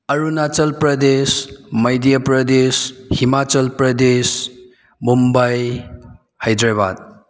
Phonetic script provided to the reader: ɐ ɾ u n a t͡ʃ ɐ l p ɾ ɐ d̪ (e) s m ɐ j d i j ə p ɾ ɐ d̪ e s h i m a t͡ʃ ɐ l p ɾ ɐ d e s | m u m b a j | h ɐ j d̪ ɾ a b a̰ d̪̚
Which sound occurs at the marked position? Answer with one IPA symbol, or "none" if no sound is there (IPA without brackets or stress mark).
e